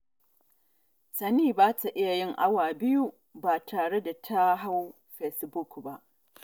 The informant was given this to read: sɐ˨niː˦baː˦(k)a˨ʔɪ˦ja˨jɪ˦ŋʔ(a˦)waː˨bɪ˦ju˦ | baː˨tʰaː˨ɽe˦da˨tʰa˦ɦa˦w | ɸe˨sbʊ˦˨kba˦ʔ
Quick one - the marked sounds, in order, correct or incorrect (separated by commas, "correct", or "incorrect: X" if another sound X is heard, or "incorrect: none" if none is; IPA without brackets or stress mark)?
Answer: incorrect: t, correct